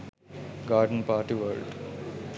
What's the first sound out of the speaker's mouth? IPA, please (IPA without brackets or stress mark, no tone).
ɡ